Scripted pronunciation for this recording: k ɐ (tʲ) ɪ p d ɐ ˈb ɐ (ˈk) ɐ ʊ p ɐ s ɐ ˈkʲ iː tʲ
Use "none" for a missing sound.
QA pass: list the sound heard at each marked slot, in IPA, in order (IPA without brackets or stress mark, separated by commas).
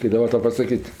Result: none, t